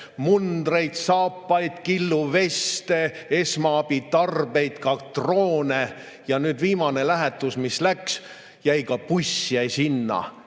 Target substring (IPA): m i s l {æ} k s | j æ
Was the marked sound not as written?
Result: no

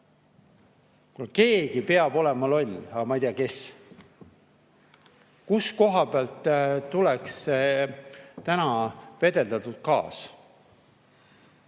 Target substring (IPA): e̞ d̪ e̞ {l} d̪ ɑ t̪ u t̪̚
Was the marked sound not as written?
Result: no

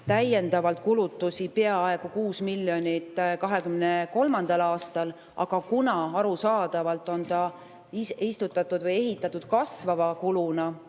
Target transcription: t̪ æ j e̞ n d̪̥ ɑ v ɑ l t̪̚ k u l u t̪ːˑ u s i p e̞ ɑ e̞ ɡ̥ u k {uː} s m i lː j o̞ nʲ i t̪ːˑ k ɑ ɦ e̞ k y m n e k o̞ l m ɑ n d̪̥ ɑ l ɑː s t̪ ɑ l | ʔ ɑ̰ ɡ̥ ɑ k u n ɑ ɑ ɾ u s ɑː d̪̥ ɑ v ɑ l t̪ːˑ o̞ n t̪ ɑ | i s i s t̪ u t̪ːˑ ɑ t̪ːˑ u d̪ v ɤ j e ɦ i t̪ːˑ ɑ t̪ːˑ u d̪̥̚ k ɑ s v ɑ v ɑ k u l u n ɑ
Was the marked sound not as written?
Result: no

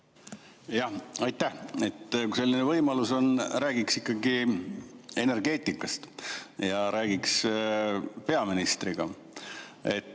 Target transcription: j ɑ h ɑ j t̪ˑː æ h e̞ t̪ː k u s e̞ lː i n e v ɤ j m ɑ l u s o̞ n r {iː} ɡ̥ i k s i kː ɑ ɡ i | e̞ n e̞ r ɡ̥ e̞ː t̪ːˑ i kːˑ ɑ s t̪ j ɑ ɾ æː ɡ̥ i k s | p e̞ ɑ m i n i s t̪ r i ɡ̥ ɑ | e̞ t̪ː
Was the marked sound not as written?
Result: yes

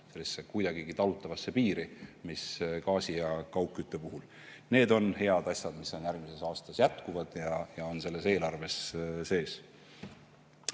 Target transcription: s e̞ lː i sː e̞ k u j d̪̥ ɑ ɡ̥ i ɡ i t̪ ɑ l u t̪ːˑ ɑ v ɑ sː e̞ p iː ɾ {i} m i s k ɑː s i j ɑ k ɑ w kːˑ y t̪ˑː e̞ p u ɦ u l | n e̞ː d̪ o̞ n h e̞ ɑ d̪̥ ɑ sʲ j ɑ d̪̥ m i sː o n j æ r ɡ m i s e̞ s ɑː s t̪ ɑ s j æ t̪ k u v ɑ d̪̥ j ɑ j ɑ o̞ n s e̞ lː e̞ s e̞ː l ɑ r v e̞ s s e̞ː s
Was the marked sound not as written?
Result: no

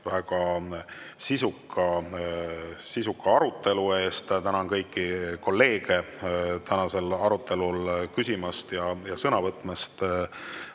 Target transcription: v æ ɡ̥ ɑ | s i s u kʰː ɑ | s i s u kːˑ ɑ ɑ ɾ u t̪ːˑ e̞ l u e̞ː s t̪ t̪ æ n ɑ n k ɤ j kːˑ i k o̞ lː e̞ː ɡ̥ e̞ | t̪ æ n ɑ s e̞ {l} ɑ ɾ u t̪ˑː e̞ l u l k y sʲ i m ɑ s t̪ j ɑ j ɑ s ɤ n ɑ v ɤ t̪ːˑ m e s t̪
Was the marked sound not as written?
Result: no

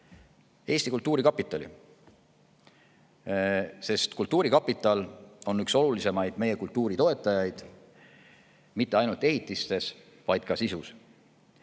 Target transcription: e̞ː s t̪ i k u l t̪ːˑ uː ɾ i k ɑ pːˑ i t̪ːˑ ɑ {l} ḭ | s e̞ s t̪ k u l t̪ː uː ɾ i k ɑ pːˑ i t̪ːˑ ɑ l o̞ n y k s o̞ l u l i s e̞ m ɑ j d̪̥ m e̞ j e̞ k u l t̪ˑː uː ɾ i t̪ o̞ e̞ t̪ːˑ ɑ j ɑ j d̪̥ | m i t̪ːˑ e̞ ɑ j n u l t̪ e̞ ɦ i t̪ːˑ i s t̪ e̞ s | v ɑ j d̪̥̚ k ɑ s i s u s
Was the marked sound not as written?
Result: no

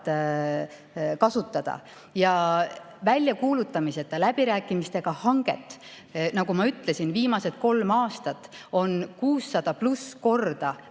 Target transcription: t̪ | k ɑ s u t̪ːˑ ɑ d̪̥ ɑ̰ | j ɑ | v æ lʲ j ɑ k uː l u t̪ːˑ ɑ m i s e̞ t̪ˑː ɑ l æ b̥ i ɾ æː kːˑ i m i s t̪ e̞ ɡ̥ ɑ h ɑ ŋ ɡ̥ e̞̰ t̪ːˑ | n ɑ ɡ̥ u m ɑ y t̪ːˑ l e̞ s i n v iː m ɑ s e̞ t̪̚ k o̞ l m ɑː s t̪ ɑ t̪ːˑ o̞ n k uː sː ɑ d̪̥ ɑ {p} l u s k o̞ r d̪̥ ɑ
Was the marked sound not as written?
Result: no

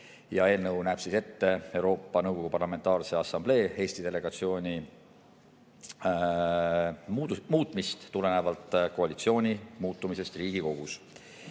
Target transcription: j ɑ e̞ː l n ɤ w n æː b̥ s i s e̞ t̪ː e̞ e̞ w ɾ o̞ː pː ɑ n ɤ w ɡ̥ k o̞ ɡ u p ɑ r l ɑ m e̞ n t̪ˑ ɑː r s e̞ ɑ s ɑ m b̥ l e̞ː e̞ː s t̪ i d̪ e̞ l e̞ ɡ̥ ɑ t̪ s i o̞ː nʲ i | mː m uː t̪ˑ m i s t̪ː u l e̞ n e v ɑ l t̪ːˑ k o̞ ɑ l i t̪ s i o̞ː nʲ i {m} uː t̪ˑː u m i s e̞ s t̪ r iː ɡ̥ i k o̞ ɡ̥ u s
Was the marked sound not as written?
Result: no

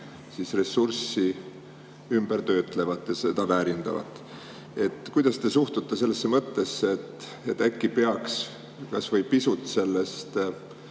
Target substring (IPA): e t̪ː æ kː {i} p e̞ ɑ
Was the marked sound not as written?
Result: no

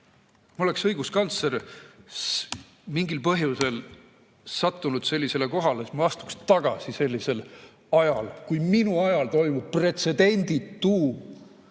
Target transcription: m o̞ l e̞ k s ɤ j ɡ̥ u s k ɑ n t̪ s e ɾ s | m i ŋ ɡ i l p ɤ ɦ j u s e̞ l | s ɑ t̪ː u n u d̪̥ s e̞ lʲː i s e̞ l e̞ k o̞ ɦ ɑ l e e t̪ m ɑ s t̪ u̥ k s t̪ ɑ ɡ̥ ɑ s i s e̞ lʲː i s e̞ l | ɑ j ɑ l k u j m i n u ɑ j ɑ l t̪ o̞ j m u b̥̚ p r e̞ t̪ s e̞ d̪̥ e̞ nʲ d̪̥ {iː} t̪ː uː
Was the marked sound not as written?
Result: yes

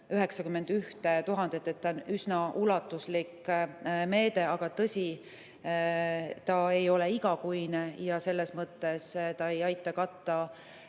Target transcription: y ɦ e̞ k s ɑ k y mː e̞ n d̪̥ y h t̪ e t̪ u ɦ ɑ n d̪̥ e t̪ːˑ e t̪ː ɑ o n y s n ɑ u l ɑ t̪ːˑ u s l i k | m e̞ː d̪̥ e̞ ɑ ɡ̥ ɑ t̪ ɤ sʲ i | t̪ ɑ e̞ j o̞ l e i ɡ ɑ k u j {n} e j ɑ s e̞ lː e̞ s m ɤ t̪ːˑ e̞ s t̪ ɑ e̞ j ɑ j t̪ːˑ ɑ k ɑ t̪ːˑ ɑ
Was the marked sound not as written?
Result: no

